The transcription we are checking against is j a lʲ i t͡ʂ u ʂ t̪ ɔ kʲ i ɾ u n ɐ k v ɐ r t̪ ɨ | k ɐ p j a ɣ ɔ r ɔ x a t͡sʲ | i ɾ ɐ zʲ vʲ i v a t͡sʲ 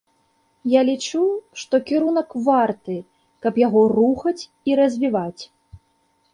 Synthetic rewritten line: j a lʲ i t͡ʂ u ʂ t̪ ɔ kʲ i ɾ u n ɐ k v a r t̪ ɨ | k ɐ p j a ɣ ɔ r u x ɐ t͡sʲ | i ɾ ɐ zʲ vʲ i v a t͡sʲ